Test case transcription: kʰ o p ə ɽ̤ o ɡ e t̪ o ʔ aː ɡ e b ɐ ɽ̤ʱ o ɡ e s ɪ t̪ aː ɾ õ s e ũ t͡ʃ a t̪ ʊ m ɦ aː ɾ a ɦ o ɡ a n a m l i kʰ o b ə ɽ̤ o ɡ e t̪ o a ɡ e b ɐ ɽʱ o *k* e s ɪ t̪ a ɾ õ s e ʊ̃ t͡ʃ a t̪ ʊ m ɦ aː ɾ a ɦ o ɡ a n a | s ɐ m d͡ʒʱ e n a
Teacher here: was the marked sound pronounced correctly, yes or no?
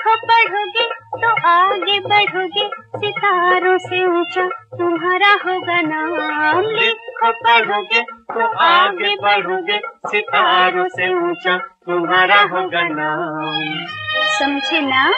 no